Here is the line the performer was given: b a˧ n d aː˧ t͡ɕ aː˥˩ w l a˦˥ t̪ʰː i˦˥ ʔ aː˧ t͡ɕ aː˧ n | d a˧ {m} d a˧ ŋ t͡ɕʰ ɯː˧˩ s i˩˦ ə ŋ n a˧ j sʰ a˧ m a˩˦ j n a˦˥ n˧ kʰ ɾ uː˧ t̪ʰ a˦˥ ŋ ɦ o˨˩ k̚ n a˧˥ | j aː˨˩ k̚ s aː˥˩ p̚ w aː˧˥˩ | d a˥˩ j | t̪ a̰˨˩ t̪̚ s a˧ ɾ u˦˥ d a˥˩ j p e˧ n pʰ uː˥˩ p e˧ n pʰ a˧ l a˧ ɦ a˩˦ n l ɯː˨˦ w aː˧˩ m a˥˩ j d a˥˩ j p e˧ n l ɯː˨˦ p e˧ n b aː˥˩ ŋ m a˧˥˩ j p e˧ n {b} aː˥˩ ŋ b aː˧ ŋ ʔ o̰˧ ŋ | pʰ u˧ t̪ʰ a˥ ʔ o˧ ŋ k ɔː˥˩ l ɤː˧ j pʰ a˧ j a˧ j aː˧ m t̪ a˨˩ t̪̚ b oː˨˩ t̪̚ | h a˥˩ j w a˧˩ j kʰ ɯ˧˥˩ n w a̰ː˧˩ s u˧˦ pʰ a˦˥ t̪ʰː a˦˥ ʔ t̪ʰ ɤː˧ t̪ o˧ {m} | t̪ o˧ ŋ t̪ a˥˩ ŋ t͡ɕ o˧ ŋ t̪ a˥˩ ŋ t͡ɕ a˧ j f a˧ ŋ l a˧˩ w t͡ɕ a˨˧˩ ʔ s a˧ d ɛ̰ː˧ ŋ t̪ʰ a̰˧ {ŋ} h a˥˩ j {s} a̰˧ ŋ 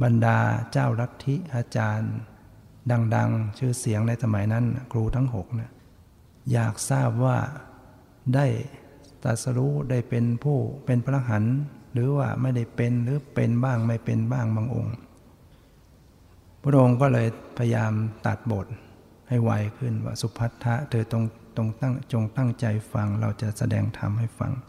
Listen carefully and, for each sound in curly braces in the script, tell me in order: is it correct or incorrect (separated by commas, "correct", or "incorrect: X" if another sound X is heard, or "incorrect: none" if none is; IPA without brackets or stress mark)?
incorrect: ŋ, correct, incorrect: ŋ, incorrect: m, incorrect: f